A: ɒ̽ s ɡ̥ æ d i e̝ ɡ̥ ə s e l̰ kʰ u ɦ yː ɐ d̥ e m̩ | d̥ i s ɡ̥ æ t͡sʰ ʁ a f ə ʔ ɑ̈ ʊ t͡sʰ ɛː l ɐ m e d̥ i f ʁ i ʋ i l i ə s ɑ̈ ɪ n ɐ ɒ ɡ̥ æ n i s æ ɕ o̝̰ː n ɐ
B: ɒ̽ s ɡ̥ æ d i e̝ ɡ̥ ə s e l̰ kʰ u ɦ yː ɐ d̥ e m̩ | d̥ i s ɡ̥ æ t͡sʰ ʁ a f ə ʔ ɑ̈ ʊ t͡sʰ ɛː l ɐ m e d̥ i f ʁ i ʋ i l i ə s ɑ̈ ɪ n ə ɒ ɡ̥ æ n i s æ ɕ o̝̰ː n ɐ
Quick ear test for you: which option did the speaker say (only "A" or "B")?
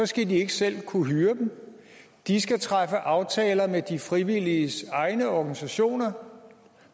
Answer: B